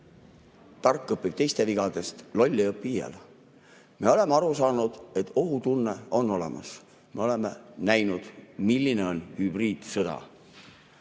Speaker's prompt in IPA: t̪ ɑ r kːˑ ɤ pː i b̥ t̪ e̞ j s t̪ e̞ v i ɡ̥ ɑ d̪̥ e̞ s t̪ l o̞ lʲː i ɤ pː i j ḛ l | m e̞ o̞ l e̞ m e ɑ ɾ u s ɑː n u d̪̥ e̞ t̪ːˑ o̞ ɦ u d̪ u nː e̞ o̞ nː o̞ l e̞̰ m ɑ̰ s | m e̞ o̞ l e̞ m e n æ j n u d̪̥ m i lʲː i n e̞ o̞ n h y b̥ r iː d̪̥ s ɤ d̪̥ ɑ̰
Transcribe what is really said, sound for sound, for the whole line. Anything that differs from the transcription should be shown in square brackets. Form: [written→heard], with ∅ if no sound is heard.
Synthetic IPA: t̪ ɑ r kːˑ ɤ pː i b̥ t̪ e̞ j s t̪ e̞ v i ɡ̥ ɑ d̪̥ e̞ s t̪ l o̞ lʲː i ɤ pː i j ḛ l | m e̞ o̞ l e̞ m e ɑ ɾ u s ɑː n u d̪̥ e̞ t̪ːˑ o̞ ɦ u [d̪→t̪] u nː e̞ o̞ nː o̞ l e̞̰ m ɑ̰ s | m e̞ o̞ l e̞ m e n æ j n u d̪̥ m i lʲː i n e̞ o̞ n h y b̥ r iː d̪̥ s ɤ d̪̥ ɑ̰